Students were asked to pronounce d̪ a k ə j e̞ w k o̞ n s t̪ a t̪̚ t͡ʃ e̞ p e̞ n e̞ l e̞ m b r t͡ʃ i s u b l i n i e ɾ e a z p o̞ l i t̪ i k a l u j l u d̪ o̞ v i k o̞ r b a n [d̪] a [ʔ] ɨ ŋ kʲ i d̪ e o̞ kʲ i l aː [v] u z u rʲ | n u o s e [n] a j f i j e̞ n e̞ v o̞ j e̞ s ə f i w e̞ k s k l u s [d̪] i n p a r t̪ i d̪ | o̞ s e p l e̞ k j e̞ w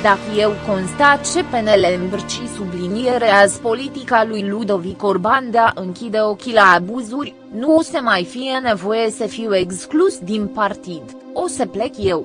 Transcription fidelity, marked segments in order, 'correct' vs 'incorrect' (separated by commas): correct, correct, incorrect, incorrect, correct